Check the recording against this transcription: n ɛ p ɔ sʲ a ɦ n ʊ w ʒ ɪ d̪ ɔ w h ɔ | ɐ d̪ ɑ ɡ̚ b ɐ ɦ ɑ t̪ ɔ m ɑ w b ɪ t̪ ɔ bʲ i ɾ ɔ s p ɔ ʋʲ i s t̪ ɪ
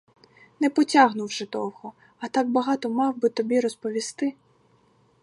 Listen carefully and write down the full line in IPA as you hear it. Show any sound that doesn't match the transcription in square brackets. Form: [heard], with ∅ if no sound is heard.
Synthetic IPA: n ɛ p ɔ [tʲ] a ɦ n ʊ w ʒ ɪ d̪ ɔ w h ɔ | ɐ [t̪] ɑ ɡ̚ b ɐ ɦ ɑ t̪ ɔ m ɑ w b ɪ t̪ ɔ bʲ i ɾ ɔ s p ɔ ʋʲ i s t̪ ɪ